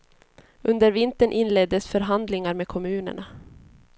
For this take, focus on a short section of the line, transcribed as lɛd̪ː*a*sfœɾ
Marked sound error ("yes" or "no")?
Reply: yes